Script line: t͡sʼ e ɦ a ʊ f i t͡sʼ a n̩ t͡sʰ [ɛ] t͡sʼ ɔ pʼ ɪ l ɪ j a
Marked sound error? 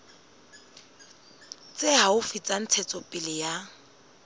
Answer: no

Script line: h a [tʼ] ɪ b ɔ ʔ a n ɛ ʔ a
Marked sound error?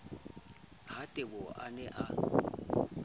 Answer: no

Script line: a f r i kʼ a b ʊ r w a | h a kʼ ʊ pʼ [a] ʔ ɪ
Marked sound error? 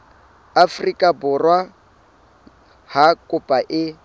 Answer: no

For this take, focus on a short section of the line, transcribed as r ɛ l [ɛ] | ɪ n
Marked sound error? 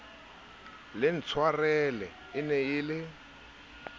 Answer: no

